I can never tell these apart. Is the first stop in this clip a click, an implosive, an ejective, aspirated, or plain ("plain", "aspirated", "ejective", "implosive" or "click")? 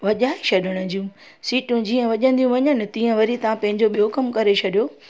implosive